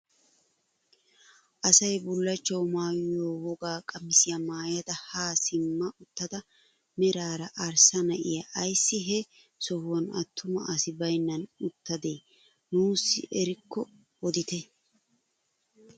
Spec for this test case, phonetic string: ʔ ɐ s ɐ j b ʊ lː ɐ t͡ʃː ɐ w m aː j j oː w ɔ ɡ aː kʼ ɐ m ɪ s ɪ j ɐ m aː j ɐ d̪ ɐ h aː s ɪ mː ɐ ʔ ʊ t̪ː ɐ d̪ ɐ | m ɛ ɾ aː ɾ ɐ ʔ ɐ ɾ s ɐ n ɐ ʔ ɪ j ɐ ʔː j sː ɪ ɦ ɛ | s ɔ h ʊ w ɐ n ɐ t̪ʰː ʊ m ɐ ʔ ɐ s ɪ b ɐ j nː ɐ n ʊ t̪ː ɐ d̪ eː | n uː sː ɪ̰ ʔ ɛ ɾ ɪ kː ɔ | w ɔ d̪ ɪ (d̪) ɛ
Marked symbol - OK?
no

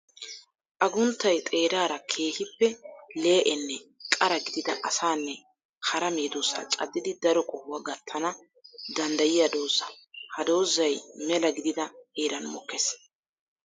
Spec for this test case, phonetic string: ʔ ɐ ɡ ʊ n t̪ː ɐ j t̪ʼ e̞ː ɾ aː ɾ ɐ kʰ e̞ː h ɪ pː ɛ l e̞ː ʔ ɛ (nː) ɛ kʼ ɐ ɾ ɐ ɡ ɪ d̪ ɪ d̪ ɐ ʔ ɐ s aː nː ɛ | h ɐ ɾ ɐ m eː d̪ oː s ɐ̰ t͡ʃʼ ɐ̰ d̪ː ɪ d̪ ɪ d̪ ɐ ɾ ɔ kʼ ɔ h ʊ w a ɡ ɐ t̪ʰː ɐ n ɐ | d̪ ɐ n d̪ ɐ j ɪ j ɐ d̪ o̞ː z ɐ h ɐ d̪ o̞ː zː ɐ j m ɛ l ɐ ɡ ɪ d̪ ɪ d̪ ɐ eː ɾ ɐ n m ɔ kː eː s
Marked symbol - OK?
yes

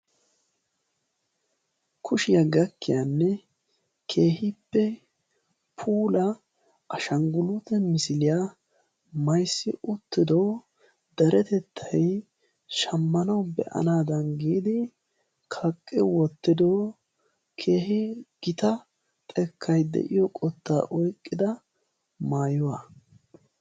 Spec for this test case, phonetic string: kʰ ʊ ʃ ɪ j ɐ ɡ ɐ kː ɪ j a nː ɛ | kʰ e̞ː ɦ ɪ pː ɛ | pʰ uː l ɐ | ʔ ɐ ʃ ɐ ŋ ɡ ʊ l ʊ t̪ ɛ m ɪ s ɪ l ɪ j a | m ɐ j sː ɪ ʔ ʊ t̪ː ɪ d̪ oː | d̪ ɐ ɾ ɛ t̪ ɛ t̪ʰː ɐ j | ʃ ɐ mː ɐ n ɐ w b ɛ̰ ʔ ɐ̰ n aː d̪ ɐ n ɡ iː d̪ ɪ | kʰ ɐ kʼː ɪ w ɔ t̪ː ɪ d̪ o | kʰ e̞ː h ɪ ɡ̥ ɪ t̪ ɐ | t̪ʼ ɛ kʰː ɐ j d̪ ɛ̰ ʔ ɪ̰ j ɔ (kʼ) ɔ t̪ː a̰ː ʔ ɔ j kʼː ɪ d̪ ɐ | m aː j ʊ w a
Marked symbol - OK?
yes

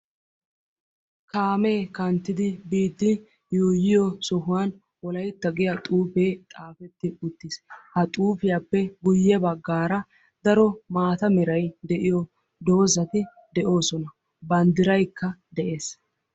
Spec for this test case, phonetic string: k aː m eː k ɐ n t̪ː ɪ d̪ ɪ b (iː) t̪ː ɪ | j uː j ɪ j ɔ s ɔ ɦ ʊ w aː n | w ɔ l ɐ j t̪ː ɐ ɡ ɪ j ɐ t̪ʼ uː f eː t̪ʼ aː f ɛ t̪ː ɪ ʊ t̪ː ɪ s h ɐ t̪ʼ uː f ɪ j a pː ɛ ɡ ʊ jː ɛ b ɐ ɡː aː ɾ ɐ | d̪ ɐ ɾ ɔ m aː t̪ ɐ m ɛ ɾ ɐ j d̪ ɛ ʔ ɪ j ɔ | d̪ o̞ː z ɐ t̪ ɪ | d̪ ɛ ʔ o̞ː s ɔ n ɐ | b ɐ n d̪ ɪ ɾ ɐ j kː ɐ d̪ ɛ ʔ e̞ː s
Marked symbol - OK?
yes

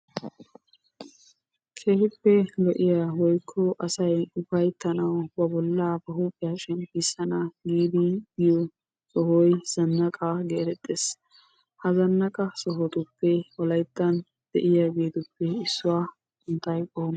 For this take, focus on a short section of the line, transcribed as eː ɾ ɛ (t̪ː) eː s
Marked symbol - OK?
no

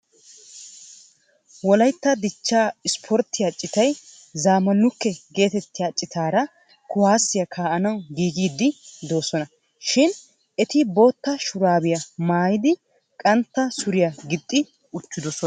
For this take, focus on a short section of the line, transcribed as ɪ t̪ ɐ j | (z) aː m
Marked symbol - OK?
yes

